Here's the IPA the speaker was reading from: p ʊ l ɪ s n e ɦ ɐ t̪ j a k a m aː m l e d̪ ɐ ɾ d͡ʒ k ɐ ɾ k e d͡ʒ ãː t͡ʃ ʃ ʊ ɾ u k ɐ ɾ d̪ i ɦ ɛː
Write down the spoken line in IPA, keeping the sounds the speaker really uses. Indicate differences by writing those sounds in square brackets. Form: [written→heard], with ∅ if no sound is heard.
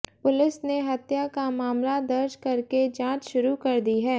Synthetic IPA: p ʊ l ɪ s n e ɦ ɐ t̪ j a k a m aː m l [e→a] d̪ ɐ ɾ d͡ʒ k ɐ ɾ k e d͡ʒ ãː t͡ʃ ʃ ʊ ɾ u k ɐ ɾ d̪ i ɦ ɛː